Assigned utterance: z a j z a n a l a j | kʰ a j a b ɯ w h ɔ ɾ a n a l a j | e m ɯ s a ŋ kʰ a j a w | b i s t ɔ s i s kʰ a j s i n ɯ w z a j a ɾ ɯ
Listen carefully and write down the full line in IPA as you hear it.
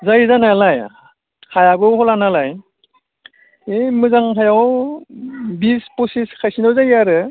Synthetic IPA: z a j z a n a l a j | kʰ a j a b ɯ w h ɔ l a n a l a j | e m ɯ z a ŋ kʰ a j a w | b i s p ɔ s i s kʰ a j s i n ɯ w z a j a ɾ ɯ